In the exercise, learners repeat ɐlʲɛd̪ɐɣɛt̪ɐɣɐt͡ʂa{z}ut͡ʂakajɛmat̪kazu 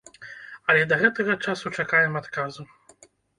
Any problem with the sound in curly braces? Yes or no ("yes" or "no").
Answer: yes